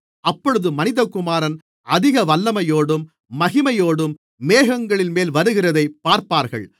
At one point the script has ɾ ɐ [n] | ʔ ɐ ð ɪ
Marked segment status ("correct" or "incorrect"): correct